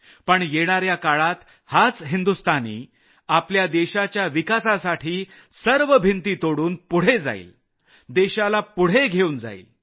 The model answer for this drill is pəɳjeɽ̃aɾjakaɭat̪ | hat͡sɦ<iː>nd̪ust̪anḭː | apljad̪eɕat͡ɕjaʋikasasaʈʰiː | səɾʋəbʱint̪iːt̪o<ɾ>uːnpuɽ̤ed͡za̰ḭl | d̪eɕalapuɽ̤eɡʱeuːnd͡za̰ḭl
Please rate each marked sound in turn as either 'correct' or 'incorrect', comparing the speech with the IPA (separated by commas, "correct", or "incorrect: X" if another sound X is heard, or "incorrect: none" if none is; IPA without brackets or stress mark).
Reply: incorrect: i, incorrect: ɽ